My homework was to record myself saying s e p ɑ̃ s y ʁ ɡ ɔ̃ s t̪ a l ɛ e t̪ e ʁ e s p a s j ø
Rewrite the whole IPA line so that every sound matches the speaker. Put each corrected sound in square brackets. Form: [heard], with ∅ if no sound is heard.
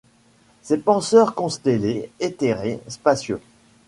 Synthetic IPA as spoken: s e p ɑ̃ s [œ] ʁ [k] ɔ̃ s t̪ [e] l [e] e t̪ e ʁ e s p a s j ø